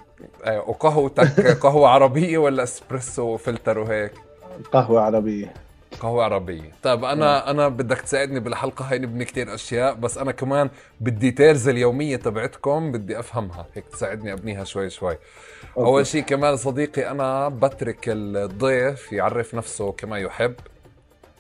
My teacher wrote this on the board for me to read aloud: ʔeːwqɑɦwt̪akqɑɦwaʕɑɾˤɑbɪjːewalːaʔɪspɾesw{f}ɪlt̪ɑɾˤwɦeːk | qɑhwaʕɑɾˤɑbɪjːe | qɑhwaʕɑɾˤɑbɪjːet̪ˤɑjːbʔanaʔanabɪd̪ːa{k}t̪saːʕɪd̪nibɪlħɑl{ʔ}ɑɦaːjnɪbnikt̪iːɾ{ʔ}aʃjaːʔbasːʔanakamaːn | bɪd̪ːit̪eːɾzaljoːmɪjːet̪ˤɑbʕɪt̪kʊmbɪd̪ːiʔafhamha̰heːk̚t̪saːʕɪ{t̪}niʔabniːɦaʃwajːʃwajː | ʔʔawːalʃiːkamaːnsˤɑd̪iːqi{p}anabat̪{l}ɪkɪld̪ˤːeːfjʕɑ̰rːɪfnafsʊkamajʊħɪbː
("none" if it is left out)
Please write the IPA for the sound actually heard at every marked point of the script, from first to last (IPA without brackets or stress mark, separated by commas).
f, k, q, ʔ, d̪, ʔ, ɾ